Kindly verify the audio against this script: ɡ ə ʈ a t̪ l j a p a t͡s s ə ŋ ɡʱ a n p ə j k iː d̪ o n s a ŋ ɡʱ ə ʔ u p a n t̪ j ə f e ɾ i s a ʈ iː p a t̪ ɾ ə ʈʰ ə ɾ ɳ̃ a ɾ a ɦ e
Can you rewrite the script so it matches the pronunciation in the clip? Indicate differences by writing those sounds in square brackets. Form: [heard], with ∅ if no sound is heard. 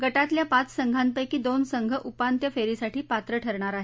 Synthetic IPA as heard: ɡ ə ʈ a t̪ l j a p a t͡s s ə ŋ ɡʱ a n p ə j k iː d̪ o n s [ə] ŋ ɡʱ ə ʔ u p a n t̪ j ə f e ɾ i s a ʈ iː p a t̪ ɾ ə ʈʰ ə ɾ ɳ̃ a ɾ a ɦ e